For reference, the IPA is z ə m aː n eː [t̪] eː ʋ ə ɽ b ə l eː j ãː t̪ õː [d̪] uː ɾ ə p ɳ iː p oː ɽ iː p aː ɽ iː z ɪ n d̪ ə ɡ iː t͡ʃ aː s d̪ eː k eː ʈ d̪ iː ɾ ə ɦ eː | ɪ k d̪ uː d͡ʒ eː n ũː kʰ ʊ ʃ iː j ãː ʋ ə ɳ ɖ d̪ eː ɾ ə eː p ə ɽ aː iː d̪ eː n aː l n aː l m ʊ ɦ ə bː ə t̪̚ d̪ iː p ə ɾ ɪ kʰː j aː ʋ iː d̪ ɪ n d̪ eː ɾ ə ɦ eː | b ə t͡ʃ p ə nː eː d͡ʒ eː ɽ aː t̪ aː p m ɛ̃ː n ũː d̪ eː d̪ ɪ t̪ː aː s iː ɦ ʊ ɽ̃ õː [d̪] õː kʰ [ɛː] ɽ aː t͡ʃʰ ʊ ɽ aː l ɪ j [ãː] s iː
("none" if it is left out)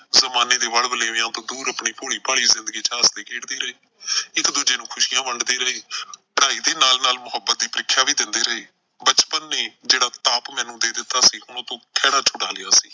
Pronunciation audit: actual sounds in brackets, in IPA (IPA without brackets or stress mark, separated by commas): d̪, d̪, t̪, ɛː, aː